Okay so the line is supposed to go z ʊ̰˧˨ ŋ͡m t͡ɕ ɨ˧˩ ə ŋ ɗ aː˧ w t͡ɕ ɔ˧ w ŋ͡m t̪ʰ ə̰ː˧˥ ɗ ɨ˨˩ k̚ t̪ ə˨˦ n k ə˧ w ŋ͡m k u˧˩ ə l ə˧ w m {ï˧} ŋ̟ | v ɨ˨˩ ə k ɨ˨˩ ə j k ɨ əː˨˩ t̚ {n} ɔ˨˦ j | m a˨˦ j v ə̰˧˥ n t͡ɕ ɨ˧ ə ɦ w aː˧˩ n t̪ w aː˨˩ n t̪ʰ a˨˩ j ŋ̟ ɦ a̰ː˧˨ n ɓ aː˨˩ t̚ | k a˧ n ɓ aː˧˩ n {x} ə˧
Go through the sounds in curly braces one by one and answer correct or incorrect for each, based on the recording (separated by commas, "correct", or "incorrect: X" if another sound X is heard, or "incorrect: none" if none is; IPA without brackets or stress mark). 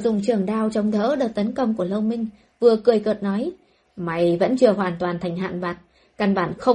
correct, correct, correct